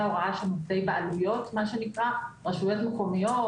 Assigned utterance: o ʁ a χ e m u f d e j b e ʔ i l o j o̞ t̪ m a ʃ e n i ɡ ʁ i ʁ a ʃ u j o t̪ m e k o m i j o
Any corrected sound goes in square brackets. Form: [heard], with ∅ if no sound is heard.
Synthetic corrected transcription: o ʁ a [ʃ] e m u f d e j b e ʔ [a] l [u] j o̞ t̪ m a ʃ e n i [k] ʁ [a] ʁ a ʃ u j o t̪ m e k o m i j o